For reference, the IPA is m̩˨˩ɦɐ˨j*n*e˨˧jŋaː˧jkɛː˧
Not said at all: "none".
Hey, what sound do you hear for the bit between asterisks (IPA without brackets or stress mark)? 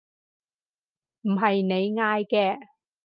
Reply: n